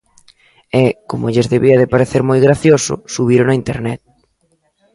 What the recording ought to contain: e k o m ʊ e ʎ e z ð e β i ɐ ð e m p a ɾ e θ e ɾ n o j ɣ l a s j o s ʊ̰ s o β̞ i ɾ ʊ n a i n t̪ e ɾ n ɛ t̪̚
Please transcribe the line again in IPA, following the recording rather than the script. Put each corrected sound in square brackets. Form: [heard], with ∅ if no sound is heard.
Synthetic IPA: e k o m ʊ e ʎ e z ð e β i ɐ ð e [∅] p a ɾ e θ e ɾ [m] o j ɣ [ɾ] a [θ] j o s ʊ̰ s [u] β̞ i ɾ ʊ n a i n t̪ e ɾ n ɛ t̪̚